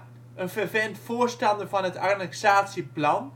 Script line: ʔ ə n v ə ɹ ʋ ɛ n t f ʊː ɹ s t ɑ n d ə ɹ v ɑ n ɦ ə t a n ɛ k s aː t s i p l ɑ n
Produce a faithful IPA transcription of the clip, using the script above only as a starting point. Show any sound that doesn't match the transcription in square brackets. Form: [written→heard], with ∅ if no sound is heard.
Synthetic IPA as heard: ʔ ə n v ə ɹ [ʋ→v] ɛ n t f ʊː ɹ s t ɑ n d ə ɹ v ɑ n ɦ ə t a n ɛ k s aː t s i p l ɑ n